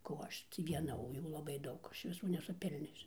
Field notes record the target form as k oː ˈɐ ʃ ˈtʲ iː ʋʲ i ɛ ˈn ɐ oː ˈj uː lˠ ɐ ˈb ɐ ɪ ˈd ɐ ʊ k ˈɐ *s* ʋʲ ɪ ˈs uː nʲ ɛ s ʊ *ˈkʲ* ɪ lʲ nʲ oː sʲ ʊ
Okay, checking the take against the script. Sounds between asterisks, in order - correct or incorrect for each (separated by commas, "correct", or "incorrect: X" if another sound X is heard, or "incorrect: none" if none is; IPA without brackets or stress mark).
incorrect: ʃ, incorrect: pʲ